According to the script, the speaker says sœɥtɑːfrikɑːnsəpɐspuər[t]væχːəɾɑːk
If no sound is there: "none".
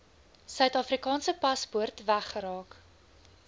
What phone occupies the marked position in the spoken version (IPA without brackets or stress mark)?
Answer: t